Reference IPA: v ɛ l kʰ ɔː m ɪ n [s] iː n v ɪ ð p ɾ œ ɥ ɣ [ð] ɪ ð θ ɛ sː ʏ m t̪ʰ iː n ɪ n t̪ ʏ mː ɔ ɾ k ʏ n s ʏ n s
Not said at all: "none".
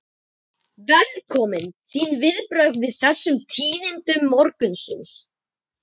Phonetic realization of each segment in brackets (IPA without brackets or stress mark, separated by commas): θ, v